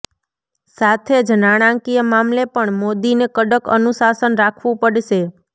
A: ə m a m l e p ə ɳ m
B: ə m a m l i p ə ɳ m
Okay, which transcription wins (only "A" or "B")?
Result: A